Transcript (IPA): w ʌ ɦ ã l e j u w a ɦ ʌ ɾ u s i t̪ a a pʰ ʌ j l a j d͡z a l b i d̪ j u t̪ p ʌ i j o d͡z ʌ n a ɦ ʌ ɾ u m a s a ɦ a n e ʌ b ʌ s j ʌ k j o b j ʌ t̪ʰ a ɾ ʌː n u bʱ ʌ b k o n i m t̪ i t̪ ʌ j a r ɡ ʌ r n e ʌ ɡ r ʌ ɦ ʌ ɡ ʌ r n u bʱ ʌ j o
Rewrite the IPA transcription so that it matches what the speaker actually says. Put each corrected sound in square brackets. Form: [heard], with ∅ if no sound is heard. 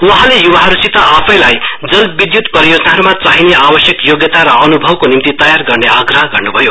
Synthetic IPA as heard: w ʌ ɦ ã l e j u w a ɦ ʌ ɾ u s i t̪ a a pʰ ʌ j l a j d͡z [ʌ] l b i d̪ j u t̪ p ʌ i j o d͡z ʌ n a ɦ ʌ ɾ u m a [t͡s] a ɦ [i] n e [a] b ʌ s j ʌ k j o [ɡ] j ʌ [t̪] a ɾ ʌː n u bʱ ʌ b k o n i m t̪ i t̪ ʌ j a r ɡ ʌ r n e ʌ ɡ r ʌ ɦ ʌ ɡ ʌ r n u bʱ ʌ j o